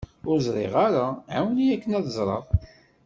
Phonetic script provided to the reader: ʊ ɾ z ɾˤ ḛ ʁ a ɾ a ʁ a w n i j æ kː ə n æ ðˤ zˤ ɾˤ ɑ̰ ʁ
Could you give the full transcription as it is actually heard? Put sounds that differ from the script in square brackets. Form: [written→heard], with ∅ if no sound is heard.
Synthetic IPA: ʊ ɾ z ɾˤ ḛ ʁ a ɾ a [ʁ→ʕ] a w n i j æ kː ə n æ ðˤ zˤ ɾˤ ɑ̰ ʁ